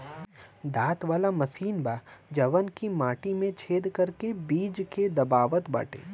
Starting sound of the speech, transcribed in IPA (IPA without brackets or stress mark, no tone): d̪